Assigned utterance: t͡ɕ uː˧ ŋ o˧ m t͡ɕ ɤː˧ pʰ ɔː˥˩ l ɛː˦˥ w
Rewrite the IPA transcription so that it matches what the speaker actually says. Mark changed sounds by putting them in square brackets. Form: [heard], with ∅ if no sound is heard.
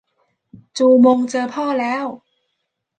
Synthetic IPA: t͡ɕ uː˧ [m] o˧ [ŋ] t͡ɕ ɤː˧ pʰ ɔː˥˩ l ɛː˦˥ w